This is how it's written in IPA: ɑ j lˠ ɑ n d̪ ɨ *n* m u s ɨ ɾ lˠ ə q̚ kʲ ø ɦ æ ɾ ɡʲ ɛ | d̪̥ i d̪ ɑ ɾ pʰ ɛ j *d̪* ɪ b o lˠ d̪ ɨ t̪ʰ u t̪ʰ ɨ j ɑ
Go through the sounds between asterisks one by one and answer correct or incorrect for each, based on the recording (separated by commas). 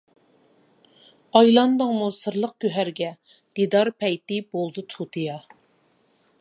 incorrect, incorrect